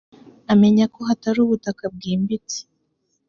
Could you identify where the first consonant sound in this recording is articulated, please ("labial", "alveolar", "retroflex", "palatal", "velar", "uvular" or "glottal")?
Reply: labial